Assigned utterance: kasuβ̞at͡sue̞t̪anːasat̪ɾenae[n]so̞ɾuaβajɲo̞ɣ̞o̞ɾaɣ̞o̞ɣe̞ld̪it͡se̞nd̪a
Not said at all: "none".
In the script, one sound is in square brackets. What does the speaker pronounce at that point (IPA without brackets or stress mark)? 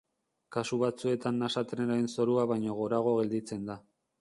n